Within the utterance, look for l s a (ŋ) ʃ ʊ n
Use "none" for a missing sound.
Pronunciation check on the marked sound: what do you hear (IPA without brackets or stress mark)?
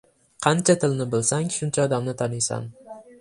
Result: ŋ